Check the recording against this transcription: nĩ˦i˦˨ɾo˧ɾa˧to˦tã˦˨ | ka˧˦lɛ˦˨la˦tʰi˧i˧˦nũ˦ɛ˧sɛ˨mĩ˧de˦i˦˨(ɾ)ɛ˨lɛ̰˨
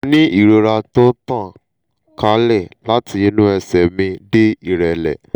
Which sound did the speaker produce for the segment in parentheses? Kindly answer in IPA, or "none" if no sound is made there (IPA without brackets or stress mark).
ɾ